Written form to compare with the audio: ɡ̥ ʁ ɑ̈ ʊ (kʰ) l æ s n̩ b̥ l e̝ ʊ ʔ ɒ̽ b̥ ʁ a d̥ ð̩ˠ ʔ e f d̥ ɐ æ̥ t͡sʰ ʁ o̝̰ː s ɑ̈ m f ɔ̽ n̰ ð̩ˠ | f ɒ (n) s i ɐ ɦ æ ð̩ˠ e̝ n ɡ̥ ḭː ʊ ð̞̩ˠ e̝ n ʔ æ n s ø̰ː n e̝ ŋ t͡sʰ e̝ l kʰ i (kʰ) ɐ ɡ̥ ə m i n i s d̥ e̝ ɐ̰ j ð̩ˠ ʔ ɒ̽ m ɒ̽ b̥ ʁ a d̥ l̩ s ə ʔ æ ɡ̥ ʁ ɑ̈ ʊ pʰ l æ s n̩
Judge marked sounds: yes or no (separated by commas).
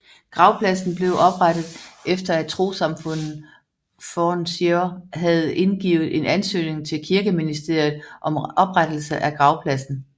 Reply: no, yes, no